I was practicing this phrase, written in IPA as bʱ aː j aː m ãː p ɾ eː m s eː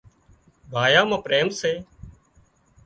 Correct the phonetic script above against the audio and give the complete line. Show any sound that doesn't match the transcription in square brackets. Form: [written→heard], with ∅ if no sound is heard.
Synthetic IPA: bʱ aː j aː m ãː p ɾ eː m s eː